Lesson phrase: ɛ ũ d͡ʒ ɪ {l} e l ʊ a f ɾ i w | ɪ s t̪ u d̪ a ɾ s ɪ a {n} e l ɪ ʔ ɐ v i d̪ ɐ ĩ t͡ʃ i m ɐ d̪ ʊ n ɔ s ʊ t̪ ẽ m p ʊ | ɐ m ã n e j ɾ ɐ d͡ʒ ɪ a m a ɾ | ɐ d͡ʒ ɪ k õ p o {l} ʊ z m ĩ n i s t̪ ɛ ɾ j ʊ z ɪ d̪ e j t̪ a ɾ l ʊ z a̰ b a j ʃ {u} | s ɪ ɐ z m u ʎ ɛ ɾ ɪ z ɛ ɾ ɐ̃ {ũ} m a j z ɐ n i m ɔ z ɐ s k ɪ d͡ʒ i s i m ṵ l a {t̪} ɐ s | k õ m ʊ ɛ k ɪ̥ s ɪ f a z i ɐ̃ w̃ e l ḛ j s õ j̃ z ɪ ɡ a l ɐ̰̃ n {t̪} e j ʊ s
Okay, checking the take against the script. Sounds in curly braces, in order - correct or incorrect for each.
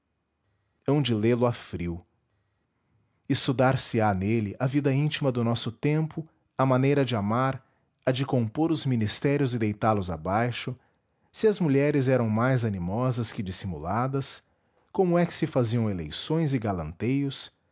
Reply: correct, correct, incorrect: ɾ, incorrect: ʊ, incorrect: w̃, incorrect: d̪, correct

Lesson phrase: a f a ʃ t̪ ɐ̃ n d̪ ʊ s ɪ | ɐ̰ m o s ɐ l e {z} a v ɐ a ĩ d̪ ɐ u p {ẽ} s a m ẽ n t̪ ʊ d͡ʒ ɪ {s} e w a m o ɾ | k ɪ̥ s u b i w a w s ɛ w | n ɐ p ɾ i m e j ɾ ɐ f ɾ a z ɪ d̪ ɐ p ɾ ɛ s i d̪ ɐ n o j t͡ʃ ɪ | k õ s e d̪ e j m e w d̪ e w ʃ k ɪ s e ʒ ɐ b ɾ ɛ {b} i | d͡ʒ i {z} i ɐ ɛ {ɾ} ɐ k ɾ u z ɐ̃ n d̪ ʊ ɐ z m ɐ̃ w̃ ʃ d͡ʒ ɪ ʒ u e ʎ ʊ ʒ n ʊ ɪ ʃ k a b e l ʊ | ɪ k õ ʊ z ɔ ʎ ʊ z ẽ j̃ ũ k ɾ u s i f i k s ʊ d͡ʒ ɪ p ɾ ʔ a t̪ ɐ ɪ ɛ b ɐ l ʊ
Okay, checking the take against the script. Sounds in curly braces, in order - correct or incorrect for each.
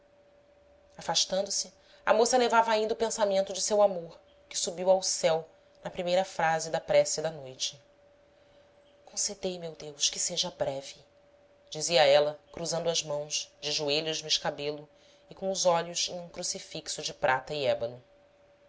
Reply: incorrect: v, correct, correct, incorrect: v, correct, incorrect: l

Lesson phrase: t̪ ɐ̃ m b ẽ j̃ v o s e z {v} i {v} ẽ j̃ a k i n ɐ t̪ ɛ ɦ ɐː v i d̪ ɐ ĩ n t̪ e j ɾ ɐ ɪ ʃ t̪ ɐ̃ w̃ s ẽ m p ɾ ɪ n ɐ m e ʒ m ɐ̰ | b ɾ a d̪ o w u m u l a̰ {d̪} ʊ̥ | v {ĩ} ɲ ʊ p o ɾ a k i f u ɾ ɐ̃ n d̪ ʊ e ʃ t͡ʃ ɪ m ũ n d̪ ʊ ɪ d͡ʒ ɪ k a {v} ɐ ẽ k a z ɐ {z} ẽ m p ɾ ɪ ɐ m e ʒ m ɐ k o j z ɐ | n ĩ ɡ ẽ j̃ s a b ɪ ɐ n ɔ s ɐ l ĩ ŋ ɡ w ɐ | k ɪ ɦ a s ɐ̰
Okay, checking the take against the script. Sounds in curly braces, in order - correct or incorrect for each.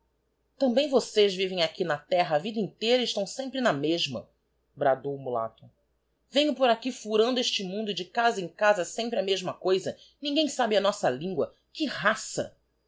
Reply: correct, correct, incorrect: t̪, incorrect: ẽ, incorrect: z, incorrect: s

